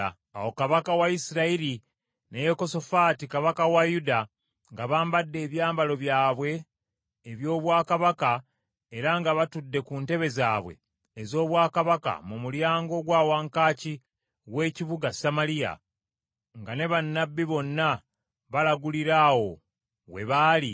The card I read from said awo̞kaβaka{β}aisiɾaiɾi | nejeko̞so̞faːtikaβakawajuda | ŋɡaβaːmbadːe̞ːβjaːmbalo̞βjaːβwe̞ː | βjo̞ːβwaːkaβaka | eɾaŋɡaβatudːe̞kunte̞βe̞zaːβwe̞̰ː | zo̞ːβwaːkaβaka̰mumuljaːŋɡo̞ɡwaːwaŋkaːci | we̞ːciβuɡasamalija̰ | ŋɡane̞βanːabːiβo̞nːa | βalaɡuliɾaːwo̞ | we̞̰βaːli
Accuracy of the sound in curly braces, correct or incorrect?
incorrect